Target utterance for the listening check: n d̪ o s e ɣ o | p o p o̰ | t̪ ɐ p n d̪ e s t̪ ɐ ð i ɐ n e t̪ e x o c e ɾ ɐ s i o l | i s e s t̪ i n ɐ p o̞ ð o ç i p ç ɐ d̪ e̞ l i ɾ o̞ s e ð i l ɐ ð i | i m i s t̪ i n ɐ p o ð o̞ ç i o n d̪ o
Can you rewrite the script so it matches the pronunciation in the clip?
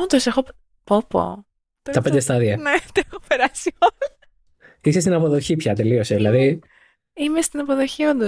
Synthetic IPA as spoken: n d̪ o s e x o | p o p o̰ | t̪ ɐ p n d̪ e s t̪ ɐ ð i ɐ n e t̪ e x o p e ɾ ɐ s i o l | i s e s t̪ i n ɐ p o̞ ð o ç i p ç ɐ t̪ e̞ l i o̞ s e ð i l ɐ ð i | i m e s t̪ i n ɐ p o ð o̞ ç i o n d̪ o